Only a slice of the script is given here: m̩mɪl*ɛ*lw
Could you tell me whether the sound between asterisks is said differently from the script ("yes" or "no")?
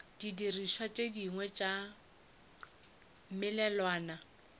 no